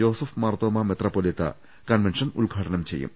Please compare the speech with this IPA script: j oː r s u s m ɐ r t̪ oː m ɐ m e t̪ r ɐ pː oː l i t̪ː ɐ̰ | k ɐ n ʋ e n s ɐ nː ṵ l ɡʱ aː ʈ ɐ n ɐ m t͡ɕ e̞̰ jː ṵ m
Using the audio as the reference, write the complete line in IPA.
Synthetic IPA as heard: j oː s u f m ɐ r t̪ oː m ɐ m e t̪ r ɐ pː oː l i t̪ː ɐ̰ | k ɐ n ʋ e n ʂ ɐ n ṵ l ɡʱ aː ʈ ɐ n ɐ m t͡ɕ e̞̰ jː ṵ m